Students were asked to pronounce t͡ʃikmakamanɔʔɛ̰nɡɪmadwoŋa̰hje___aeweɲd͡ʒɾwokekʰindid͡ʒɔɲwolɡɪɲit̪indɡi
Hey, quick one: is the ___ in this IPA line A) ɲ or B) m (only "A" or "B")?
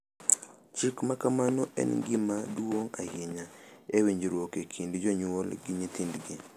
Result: A